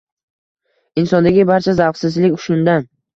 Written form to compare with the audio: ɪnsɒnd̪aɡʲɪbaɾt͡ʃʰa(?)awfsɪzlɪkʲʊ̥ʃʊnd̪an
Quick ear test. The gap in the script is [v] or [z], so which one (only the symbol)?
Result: z